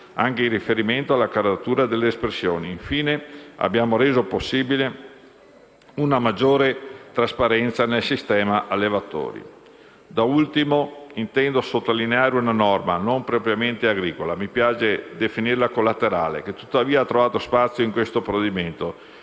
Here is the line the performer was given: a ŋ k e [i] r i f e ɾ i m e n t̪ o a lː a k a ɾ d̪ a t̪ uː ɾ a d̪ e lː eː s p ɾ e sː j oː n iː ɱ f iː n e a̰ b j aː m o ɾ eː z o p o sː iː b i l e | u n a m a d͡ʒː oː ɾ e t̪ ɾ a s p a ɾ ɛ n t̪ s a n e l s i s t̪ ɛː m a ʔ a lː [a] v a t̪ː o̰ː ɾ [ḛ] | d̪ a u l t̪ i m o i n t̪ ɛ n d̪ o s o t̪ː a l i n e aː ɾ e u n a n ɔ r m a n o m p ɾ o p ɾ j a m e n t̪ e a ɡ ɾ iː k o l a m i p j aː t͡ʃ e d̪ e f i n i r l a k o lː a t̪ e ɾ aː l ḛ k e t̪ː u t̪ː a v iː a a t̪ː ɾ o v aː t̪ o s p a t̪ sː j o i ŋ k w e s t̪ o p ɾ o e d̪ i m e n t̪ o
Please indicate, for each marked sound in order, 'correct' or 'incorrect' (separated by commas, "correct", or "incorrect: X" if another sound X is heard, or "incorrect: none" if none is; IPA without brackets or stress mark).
correct, incorrect: e, incorrect: ḭ